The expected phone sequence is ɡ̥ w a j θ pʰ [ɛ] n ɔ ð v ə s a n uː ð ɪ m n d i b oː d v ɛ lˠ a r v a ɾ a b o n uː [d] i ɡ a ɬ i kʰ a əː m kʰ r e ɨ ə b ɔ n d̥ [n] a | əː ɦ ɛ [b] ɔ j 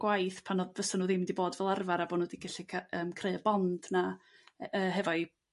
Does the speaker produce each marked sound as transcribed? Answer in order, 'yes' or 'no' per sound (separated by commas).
no, yes, yes, no